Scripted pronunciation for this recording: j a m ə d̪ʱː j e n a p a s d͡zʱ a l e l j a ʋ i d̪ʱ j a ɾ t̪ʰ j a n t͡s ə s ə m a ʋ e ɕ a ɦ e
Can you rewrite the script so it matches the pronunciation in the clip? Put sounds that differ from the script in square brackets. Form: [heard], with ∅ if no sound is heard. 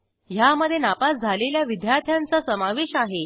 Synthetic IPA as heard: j a m ə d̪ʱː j e n a p a s d͡zʱ a l e l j a ʋ i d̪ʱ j a ɾ t̪ʰ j a n t͡s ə s ə m a ʋ e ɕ a ɦ e